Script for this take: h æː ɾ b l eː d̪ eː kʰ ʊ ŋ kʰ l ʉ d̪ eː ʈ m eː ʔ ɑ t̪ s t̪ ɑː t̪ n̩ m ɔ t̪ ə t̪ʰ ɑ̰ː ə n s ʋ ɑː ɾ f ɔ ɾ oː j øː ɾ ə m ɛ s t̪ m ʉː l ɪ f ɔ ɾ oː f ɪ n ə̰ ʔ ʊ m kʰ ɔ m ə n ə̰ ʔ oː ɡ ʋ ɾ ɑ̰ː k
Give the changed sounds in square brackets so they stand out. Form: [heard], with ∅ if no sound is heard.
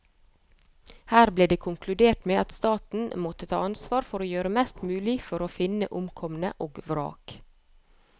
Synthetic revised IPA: h æː ɾ b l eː d̪ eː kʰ ʊ ŋ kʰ l ʉ d̪ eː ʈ m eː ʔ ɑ t̪ s t̪ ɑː t̪ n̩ m ɔ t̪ ə t̪ʰ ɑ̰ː [ɑ] n s ʋ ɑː ɾ f ɔ ɾ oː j øː ɾ ə m ɛ s t̪ m ʉː l ɪ f ɔ ɾ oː f ɪ n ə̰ ʔ ʊ m kʰ ɔ m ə n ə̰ ʔ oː ɡ ʋ ɾ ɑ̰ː k